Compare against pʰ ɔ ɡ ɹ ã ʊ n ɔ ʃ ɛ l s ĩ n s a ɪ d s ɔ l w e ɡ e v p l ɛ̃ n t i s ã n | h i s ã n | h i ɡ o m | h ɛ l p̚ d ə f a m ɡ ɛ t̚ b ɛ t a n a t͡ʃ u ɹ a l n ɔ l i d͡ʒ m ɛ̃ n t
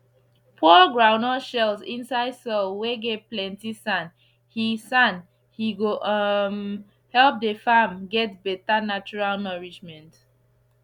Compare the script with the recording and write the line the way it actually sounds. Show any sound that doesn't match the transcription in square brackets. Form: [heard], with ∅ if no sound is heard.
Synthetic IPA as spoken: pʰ ɔ ɡ ɹ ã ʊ n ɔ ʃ ɛ l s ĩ n s a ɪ d s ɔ l w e ɡ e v p l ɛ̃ n t i s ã n | h i s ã n | h i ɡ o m | h ɛ l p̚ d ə f a m ɡ ɛ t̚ b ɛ t a n a t͡ʃ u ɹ a l n ɔ [ɹ] i d͡ʒ m ɛ̃ n t